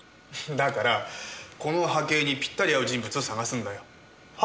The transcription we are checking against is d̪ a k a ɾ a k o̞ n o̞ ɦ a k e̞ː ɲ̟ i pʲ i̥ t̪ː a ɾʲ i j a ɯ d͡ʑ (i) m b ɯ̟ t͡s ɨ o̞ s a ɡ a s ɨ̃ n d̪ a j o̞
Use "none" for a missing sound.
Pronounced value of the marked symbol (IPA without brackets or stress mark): ĩ